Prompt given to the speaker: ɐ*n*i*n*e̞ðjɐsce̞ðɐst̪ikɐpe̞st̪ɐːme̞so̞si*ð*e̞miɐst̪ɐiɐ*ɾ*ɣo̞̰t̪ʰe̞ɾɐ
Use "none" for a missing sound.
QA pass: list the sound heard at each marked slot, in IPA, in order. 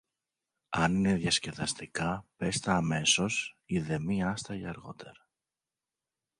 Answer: n, n, ð, ɾ

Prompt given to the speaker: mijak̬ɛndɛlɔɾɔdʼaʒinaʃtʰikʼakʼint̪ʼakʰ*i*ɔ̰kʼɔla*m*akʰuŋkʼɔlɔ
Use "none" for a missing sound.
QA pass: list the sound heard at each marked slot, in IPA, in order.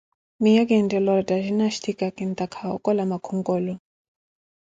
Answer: a, m

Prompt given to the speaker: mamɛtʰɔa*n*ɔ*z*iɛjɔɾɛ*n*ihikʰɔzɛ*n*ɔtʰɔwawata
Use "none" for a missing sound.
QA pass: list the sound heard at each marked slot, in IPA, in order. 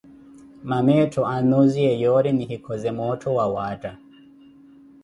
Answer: n, z, n, m

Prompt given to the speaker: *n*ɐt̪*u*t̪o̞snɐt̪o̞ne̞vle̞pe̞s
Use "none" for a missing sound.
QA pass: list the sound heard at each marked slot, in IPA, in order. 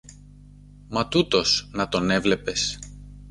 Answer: m, u

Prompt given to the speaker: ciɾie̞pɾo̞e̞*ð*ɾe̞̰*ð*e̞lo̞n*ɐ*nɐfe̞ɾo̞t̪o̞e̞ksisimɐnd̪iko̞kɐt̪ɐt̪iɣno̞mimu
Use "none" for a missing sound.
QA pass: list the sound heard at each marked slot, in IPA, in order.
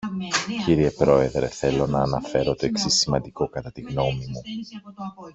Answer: ð, θ, ɐː

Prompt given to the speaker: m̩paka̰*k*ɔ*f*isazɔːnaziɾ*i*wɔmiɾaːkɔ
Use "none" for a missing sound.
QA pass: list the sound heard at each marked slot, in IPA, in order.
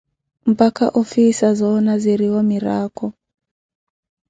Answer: ʔ, f, i

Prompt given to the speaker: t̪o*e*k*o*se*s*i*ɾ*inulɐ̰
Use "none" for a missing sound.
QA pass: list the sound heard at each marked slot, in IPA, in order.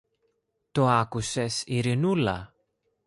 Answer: a, u, s, ɾ

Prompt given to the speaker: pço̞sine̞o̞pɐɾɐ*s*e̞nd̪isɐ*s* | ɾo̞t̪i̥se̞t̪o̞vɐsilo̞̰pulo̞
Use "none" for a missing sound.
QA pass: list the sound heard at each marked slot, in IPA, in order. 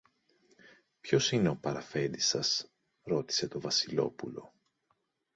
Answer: f, s

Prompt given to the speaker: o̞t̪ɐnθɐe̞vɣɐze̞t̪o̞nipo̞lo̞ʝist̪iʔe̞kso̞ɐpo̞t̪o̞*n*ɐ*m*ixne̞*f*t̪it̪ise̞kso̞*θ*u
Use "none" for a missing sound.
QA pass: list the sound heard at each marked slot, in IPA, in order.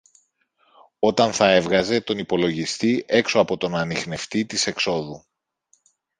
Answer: n, n, f, ð

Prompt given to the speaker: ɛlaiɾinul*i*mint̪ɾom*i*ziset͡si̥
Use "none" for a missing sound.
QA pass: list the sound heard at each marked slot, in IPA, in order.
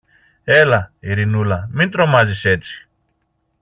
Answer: a, a

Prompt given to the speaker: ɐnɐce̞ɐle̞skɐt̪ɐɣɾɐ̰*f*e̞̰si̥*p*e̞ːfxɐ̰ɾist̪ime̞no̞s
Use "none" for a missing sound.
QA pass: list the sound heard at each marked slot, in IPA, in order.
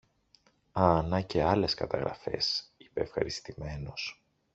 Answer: f, p

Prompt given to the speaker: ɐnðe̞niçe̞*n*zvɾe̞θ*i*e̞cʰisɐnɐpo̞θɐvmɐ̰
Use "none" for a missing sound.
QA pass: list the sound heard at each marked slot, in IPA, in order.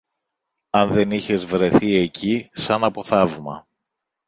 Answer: none, i

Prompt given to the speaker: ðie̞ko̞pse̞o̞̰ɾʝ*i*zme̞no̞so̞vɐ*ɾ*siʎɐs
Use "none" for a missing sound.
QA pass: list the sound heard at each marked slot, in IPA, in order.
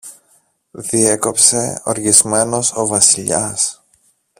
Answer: i, none

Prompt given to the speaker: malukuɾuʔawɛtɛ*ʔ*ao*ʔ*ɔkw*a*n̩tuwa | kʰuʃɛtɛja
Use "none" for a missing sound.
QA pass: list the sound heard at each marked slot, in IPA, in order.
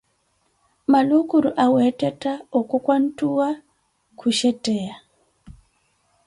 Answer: t, k, a

